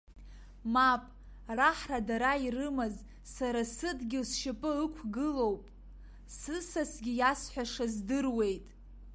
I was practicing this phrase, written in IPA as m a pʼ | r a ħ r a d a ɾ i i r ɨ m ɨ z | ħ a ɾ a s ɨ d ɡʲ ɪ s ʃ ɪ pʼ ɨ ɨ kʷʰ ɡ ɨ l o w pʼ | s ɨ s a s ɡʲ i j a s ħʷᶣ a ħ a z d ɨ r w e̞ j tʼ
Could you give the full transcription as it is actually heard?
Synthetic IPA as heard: m a pʼ | r a ħ r a d a ɾ a i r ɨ m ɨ z | s a ɾ a s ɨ d ɡʲ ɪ s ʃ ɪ pʼ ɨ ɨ kʷʰ ɡ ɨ l o w pʼ | s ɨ s a s ɡʲ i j a s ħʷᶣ a ʂ a z d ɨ r w e̞ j tʼ